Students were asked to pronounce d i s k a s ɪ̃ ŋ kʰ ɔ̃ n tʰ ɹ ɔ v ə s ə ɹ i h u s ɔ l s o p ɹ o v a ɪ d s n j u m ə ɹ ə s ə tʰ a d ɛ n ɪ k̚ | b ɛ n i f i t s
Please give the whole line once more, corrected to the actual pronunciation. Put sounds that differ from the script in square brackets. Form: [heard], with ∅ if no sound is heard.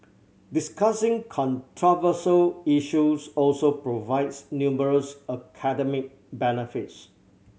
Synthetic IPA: d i s k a s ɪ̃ ŋ kʰ ɔ̃ n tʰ ɹ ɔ v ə s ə [l] i [ʃ] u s ɔ l s o p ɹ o v a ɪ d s n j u m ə ɹ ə s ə [kʰ] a d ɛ [m] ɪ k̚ | b ɛ n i f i t s